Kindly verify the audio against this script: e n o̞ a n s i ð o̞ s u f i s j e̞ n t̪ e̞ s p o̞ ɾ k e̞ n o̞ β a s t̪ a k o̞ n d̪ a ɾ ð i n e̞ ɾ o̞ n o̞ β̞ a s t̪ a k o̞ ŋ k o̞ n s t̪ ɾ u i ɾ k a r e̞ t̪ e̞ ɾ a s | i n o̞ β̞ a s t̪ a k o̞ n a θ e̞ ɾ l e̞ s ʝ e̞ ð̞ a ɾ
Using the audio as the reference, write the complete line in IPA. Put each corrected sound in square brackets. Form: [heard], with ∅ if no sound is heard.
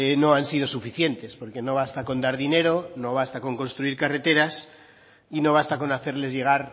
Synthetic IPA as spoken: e n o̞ a n s i ð o̞ s u f i [θ] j e̞ n t̪ e̞ s p o̞ ɾ k e̞ n o̞ β a s t̪ a k o̞ n d̪ a ɾ ð i n e̞ ɾ o̞ n o̞ β̞ a s t̪ a k o̞ ŋ k o̞ n s t̪ ɾ u i ɾ k a r e̞ t̪ e̞ ɾ a s | i n o̞ β̞ a s t̪ a k o̞ n a θ e̞ ɾ l e̞ [z] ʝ e̞ [ɣ̞] a ɾ